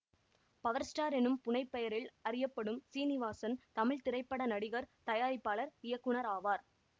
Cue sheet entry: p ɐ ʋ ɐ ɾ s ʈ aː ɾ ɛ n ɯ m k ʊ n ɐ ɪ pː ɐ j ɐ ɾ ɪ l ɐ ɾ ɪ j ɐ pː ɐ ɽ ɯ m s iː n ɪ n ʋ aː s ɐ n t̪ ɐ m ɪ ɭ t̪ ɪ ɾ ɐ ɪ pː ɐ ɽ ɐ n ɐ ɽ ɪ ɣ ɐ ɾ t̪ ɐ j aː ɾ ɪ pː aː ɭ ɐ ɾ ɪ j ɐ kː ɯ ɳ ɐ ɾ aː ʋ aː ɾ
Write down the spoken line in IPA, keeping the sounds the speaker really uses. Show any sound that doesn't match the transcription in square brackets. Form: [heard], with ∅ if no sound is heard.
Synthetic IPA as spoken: p ɐ ʋ ɐ ɾ s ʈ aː ɾ ɛ n ɯ m [p] ʊ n ɐ ɪ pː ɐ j ɐ ɾ ɪ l ɐ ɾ ɪ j ɐ pː ɐ ɽ ɯ m s iː n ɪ [∅] ʋ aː s ɐ n t̪ ɐ m ɪ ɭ t̪ ɪ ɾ ɐ ɪ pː ɐ ɽ ɐ n ɐ ɽ ɪ ɣ ɐ ɾ t̪ ɐ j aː ɾ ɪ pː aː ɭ ɐ ɾ ɪ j ɐ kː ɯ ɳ ɐ ɾ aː ʋ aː ɾ